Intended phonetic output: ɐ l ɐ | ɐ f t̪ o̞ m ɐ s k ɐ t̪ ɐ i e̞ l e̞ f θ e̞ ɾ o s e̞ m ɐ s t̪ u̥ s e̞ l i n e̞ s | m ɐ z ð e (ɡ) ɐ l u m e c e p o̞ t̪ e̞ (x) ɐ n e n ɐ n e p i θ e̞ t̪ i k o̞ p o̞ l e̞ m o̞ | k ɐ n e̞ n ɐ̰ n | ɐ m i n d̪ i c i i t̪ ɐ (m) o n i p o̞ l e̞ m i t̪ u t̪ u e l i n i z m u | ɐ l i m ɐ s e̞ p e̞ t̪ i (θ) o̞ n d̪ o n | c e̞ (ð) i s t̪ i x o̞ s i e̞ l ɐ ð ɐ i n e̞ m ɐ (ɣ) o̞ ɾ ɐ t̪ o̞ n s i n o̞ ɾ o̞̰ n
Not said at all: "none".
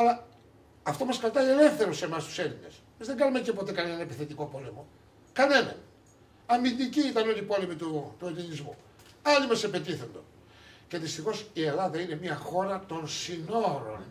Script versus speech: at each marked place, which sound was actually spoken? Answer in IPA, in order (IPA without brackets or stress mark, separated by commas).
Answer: ɡ, k, n, θ, ð, x